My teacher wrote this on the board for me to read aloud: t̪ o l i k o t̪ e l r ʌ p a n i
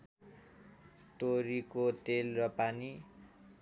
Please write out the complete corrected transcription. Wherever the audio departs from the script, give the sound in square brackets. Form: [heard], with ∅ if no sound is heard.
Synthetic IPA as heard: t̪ o [ɾ] i k o t̪ e l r ʌ p a n i